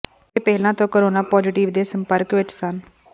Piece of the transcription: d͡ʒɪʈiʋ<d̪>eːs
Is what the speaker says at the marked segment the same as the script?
yes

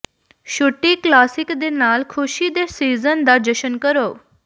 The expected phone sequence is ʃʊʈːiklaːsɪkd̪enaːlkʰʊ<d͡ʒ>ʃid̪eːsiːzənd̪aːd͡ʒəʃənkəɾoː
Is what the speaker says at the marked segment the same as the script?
no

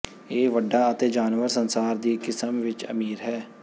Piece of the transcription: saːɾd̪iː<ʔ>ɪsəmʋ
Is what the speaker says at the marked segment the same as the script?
no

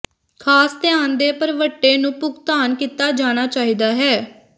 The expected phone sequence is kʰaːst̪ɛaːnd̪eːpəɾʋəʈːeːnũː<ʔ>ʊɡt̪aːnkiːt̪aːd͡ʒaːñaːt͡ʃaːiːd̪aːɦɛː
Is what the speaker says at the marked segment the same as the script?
no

